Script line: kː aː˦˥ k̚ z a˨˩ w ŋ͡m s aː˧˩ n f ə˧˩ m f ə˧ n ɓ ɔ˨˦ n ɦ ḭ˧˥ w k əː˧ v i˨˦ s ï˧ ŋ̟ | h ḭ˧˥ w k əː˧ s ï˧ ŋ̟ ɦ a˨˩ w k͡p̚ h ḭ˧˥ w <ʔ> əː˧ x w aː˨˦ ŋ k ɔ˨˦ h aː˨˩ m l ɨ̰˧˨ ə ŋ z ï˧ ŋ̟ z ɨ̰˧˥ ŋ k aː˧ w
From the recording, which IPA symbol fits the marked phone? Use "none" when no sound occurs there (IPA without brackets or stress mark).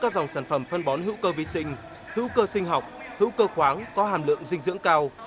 k